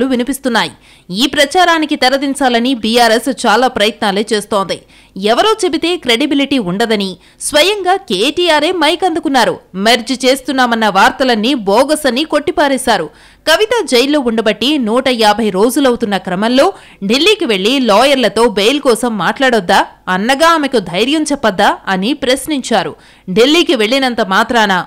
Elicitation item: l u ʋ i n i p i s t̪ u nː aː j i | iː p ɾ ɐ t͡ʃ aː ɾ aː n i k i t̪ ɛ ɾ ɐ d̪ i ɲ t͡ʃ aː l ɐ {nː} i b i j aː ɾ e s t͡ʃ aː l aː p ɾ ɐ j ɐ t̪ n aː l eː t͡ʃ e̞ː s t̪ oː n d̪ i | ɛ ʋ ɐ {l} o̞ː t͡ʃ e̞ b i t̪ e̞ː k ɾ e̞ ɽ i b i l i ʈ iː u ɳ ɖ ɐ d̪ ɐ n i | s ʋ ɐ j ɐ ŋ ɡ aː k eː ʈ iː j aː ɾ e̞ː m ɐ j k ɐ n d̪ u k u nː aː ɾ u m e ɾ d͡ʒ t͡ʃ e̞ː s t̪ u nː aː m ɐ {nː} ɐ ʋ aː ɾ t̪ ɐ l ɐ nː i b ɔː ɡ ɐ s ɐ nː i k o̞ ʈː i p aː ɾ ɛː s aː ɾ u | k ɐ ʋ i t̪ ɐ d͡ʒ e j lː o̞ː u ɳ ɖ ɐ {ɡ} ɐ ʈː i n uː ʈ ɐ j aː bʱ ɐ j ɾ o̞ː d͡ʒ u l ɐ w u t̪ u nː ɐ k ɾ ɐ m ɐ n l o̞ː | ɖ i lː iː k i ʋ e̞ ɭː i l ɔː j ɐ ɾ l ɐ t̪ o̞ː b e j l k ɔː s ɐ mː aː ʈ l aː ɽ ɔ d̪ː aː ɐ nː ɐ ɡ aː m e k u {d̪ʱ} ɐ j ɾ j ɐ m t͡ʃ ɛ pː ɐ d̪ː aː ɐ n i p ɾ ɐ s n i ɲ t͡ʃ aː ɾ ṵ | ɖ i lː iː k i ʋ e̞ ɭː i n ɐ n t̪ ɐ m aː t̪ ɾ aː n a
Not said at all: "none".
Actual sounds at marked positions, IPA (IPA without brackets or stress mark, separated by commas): n, ɾ, nː, b, d̪ʱ